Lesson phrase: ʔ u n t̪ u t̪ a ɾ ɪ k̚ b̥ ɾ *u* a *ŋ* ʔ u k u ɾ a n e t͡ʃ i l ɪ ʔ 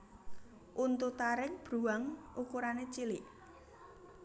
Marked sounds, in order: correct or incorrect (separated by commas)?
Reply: correct, correct